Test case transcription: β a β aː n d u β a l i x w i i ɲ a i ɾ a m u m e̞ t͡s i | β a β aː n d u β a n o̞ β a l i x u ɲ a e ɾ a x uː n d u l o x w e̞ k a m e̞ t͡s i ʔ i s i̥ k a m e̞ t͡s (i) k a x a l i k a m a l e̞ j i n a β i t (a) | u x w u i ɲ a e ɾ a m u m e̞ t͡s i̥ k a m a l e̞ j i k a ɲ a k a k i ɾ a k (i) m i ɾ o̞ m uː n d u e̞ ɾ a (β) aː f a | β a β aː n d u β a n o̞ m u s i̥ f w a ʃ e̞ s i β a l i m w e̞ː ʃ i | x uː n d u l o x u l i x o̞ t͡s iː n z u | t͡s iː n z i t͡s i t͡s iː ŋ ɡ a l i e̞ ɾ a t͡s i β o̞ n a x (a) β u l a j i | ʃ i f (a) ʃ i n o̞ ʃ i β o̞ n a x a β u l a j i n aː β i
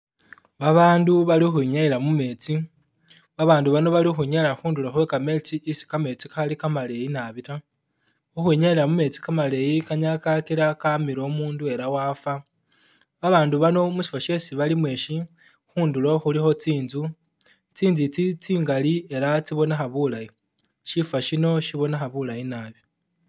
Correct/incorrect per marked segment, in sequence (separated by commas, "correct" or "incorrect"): correct, correct, incorrect, incorrect, correct, correct